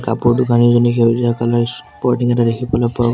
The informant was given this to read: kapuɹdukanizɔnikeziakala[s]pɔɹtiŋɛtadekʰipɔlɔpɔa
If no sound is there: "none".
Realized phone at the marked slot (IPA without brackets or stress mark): s